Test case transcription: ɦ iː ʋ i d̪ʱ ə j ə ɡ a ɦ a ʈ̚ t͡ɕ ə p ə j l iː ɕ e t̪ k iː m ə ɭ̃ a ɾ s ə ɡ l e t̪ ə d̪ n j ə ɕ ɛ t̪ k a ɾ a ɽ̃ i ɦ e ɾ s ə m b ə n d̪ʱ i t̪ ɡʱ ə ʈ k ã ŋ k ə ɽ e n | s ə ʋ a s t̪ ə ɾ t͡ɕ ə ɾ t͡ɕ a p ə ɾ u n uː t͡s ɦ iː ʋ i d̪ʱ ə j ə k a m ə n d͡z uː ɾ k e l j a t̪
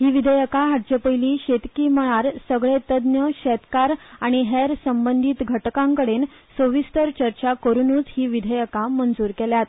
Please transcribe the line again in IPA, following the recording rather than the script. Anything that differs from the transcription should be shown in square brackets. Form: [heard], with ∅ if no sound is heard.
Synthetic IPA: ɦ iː ʋ i d̪ʱ ə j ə [k] a ɦ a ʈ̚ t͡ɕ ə p ə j l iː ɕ e t̪ k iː m ə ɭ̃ a ɾ s ə ɡ [ɭ] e t̪ ə d̪ n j ə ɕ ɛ t̪ k a ɾ a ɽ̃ i ɦ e ɾ s ə m b ə n d̪ʱ i t̪ ɡʱ ə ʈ k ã ŋ k ə ɽ e n | s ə ʋ [i] s t̪ ə ɾ t͡ɕ ə ɾ t͡ɕ a [k] ə ɾ u n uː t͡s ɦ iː ʋ i d̪ʱ ə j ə k a m ə n d͡z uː ɾ k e l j a t̪